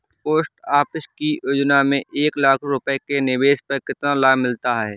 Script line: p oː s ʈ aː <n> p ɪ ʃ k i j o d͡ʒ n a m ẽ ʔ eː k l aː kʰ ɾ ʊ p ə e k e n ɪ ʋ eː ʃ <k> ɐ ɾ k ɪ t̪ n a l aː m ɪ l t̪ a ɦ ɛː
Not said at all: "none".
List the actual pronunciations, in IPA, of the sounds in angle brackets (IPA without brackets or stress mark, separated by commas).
none, p